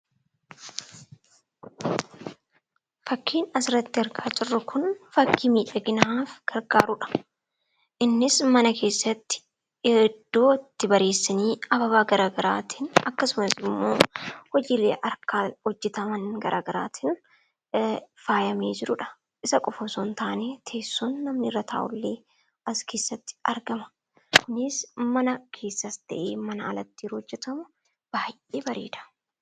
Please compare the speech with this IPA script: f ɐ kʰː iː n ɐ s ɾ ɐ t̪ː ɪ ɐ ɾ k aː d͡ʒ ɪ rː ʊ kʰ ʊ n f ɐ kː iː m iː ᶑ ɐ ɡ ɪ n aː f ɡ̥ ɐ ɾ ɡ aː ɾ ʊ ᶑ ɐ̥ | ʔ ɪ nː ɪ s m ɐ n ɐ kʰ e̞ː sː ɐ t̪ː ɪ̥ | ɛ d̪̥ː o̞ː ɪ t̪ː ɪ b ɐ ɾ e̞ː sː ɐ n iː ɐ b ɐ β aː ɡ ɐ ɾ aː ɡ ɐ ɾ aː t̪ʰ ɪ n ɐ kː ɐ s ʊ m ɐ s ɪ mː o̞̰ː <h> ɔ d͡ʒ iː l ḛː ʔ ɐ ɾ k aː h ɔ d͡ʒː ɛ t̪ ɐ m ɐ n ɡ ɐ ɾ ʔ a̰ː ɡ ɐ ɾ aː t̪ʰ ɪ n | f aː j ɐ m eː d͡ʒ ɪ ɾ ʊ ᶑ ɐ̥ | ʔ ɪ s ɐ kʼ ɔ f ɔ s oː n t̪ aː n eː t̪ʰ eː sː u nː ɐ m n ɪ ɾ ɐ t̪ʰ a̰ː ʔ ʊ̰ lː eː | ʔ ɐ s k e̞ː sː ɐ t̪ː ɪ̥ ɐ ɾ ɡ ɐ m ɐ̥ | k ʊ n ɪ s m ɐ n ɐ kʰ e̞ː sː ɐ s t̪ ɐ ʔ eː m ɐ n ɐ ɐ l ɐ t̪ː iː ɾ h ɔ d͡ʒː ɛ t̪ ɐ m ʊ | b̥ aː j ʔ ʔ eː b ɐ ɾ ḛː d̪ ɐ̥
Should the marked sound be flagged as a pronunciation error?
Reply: no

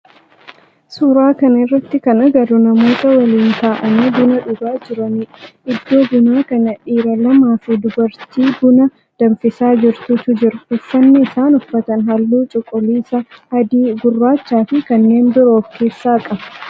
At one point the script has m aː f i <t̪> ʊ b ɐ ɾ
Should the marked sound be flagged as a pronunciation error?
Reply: yes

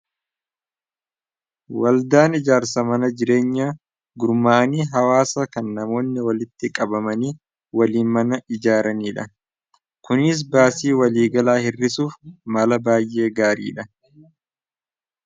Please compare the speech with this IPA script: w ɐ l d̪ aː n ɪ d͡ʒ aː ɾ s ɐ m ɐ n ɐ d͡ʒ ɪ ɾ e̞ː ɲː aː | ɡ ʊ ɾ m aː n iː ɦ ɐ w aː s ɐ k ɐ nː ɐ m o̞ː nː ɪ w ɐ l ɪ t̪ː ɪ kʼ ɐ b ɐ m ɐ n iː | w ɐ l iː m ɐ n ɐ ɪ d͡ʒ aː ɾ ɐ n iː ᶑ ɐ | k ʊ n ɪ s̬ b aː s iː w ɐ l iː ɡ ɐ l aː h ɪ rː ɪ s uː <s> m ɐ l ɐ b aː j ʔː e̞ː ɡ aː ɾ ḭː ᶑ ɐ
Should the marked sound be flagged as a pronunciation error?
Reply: yes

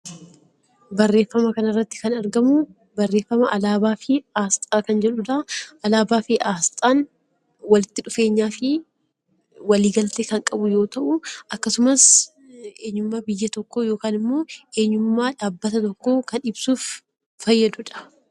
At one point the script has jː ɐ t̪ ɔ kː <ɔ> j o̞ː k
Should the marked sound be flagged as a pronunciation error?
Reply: yes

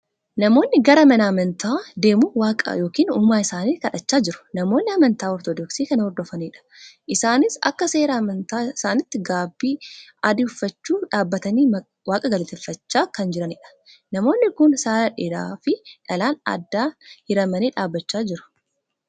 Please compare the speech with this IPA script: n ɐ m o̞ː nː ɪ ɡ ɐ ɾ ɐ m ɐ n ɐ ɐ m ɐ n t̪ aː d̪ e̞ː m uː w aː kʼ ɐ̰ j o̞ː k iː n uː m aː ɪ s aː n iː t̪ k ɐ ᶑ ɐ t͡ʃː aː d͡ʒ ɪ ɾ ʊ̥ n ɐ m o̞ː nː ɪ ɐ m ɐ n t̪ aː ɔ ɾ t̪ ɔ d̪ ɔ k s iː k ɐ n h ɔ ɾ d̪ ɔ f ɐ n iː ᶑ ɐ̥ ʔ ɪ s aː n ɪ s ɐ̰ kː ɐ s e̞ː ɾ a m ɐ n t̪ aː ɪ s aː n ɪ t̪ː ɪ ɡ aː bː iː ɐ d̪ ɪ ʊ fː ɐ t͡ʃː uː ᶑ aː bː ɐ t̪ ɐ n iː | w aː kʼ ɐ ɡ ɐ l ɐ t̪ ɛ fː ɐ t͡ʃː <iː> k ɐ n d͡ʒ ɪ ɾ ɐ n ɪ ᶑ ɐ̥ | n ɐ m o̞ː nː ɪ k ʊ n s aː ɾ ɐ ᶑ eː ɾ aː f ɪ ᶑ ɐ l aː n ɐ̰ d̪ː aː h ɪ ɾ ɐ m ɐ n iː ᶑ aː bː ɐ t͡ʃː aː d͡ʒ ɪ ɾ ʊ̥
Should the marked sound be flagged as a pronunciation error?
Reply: yes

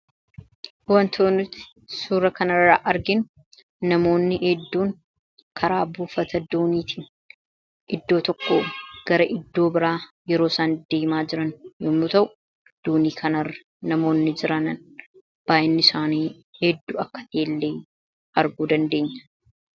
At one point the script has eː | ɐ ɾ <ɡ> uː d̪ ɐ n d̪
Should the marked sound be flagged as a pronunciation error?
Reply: no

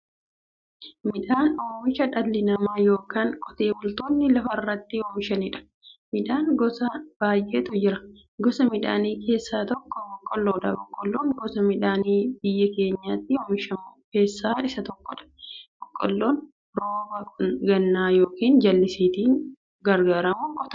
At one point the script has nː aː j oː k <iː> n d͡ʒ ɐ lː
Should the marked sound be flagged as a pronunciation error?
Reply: no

